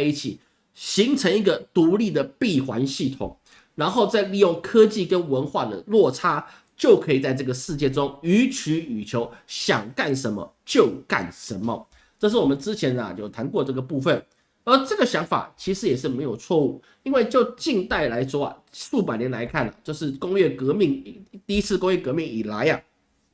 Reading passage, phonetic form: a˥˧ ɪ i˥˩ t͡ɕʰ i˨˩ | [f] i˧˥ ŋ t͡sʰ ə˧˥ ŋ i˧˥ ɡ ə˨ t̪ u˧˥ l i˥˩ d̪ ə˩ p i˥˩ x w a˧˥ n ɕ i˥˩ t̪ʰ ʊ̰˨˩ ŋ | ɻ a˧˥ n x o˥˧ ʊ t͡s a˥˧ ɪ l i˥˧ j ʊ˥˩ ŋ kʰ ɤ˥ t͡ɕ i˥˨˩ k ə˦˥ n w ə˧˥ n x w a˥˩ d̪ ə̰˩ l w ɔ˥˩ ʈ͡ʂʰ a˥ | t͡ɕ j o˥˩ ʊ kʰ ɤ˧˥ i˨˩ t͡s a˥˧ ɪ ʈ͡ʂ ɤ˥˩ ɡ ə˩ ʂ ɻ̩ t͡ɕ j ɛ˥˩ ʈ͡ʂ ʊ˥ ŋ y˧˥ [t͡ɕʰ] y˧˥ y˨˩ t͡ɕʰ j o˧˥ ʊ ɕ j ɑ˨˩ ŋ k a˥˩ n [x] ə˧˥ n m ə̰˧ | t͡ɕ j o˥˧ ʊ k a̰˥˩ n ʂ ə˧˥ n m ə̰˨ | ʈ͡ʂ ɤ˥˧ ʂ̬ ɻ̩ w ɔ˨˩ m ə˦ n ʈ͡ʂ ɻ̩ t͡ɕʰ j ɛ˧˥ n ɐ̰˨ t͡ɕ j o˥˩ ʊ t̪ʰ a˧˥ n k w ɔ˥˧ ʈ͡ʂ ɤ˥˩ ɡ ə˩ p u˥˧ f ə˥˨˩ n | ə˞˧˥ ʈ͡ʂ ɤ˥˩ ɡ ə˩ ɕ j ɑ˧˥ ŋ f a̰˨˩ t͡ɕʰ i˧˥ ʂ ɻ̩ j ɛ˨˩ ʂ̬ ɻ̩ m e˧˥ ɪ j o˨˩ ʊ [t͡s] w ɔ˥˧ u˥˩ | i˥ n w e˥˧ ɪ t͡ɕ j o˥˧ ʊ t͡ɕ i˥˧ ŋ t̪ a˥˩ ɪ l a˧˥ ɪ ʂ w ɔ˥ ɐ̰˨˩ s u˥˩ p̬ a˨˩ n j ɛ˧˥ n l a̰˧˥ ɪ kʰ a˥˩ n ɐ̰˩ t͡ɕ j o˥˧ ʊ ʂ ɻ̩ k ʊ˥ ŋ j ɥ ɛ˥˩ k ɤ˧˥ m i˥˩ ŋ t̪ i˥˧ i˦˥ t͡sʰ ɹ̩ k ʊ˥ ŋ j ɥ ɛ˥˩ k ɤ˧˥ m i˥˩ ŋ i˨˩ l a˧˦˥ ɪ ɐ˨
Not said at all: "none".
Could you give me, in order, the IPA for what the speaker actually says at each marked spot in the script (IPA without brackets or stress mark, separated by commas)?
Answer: ɕ, t͡ɕʰ, ʂ, t͡sʰ